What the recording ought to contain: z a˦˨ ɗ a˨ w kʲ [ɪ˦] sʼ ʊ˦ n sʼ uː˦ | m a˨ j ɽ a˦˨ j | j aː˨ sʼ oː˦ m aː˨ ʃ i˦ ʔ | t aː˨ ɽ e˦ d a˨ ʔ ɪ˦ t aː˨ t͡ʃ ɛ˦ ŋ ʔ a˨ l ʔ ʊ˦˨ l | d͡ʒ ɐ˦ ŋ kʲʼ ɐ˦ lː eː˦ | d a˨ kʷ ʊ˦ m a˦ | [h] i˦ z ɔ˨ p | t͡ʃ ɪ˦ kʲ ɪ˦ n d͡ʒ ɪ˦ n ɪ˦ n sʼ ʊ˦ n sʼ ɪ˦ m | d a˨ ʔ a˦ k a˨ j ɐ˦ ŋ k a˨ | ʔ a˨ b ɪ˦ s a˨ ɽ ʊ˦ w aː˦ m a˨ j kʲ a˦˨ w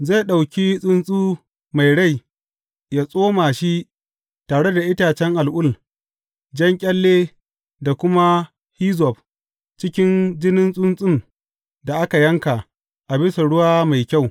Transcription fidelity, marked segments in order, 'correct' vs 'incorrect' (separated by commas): incorrect, correct